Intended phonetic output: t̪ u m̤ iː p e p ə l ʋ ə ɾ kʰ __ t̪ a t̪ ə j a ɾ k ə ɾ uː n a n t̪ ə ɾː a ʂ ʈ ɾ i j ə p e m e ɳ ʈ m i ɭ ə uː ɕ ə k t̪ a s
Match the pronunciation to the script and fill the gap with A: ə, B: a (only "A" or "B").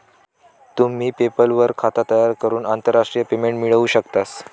B